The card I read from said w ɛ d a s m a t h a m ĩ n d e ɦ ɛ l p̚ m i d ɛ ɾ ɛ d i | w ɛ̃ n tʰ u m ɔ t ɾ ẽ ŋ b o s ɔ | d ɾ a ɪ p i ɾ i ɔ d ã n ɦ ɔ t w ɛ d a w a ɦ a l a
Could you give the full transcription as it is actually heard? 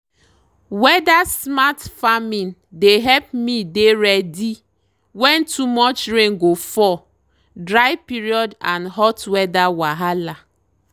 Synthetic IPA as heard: w ɛ d a s m a t f a m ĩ n d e ɦ ɛ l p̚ m i d e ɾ ɛ d i | w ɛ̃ n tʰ u m ɔ t͡ʃ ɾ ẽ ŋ ɡ o f ɔ | d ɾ a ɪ p i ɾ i ɔ d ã n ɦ ɔ t w ɛ d a w a ɦ a l a